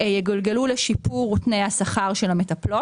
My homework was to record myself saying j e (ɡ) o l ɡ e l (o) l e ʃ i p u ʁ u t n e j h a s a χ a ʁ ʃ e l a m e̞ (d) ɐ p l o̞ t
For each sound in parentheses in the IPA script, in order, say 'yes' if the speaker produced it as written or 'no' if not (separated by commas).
yes, no, no